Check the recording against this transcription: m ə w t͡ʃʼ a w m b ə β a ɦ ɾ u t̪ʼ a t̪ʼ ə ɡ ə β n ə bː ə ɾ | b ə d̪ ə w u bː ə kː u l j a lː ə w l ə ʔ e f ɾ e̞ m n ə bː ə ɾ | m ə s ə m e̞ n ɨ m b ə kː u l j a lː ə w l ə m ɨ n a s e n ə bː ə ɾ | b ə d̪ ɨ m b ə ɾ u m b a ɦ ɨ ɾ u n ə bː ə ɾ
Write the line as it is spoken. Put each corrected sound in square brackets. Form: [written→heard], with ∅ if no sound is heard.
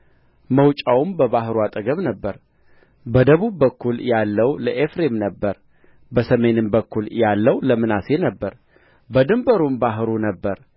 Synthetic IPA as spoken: m ə w t͡ʃʼ a w m b ə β a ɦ ɾ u [t̪ʼ→∅] a t̪ʼ ə ɡ ə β n ə bː ə ɾ | b ə d̪ ə [w→β] u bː ə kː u l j a lː ə w l ə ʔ e f ɾ e̞ m n ə bː ə ɾ | [m→b] ə s ə m e̞ n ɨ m b ə kː u l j a lː ə w l ə m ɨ n a s e n ə bː ə ɾ | b ə d̪ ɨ m b ə ɾ u m b a ɦ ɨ ɾ u n ə bː ə ɾ